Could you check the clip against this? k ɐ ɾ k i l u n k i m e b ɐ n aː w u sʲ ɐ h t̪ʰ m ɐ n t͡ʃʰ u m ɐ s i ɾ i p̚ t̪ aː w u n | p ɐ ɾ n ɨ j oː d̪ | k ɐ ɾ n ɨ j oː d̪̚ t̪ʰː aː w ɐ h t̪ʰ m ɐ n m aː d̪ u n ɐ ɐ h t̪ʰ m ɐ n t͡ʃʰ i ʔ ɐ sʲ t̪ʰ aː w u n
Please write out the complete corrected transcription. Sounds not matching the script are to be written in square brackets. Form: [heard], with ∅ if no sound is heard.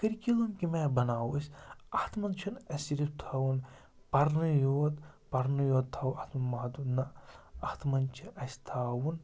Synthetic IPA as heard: k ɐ ɾ k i l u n k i m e b ɐ n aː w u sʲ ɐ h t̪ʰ m ɐ n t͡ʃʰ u [n] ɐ s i ɾ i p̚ [t̪ʰ] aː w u n | p ɐ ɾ n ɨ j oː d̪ | [p] ɐ ɾ n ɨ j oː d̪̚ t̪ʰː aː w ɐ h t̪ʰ m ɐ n m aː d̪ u n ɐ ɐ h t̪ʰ m ɐ n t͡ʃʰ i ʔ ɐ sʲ t̪ʰ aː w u n